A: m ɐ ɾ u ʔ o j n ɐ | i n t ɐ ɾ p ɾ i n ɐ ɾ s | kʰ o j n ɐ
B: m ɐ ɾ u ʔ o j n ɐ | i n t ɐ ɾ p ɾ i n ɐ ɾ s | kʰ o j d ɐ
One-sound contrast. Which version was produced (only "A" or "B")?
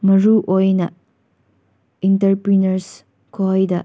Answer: B